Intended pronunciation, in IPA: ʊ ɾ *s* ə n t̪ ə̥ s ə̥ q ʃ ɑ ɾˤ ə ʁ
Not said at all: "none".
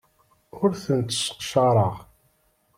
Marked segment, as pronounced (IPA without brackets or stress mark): θ